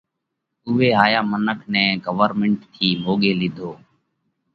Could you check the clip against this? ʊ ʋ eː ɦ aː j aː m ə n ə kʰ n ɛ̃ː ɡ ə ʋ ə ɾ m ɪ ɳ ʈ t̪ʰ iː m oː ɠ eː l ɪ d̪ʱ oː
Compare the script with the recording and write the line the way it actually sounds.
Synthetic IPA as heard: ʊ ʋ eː ɦ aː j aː m ə n ə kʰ n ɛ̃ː ɡ ə ʋ ə ɾ m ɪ ɳ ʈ t̪ʰ iː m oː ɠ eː l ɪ d̪ʱ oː